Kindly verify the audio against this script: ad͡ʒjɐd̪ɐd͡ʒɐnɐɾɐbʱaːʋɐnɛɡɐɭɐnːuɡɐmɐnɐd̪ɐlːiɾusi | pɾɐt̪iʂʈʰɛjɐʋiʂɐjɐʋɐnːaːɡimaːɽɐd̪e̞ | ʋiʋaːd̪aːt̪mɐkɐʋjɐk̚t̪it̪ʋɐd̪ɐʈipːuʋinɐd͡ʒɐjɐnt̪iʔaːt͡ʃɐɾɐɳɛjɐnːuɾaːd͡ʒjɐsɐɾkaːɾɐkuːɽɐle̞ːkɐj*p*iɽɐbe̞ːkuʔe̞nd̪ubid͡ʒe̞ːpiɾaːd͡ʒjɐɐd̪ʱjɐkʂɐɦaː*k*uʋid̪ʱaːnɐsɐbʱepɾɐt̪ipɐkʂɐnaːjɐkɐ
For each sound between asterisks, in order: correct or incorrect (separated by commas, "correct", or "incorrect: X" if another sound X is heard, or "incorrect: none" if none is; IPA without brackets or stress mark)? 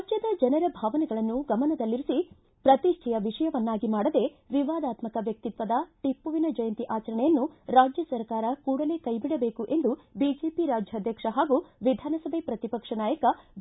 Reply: incorrect: b, incorrect: ɡ